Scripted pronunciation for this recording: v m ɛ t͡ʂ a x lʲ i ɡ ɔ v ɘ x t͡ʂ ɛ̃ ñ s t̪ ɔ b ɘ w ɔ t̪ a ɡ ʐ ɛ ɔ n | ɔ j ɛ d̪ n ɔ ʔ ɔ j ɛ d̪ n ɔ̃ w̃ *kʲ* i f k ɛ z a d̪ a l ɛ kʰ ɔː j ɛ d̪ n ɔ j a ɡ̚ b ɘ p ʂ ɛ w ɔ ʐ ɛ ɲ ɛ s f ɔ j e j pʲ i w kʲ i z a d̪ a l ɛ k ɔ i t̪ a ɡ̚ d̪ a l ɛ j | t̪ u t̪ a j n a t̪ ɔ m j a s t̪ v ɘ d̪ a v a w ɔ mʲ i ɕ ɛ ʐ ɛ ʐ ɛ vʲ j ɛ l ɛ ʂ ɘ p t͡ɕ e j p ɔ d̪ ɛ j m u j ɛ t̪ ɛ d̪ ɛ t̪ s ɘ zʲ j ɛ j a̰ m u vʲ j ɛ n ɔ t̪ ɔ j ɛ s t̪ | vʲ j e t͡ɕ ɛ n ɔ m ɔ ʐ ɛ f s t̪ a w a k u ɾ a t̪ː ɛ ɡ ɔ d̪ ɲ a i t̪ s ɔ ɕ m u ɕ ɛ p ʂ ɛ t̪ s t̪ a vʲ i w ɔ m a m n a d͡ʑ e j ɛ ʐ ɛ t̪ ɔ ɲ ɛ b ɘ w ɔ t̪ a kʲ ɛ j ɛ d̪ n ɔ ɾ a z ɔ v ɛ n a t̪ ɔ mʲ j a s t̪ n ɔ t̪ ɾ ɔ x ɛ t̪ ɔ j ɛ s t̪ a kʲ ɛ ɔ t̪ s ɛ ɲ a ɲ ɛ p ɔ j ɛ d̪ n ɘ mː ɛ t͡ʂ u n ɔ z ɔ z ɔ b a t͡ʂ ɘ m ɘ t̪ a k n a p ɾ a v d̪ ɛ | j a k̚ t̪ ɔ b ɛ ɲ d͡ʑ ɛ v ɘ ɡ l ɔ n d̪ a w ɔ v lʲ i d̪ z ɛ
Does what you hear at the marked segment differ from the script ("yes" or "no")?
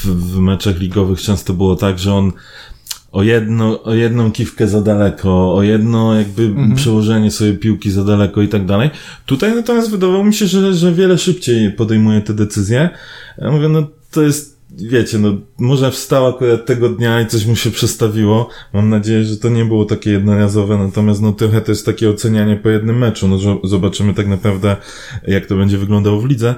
no